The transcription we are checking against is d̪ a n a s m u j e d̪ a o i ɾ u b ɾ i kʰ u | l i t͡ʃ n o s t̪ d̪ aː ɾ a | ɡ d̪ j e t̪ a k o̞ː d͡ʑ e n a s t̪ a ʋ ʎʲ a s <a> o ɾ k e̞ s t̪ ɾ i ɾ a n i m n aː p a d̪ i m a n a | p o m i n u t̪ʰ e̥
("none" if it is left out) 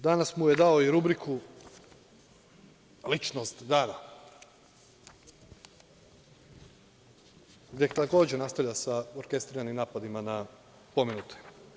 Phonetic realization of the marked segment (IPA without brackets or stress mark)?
a